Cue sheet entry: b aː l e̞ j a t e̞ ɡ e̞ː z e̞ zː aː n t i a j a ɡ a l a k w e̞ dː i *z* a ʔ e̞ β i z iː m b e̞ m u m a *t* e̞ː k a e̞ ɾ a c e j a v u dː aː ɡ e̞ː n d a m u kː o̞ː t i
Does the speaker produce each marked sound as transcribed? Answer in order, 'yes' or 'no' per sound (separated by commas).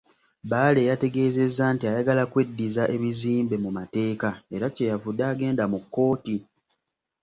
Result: yes, yes